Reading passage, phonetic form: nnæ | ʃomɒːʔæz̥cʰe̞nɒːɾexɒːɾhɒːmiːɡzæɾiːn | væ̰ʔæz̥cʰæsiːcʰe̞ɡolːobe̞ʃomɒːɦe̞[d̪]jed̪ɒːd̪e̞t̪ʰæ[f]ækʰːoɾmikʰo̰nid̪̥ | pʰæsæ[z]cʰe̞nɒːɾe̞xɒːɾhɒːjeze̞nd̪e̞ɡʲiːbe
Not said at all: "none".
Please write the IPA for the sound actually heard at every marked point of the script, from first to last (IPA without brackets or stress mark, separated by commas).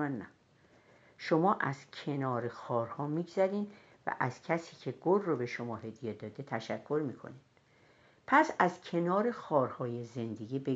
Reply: d̪, ʃ, z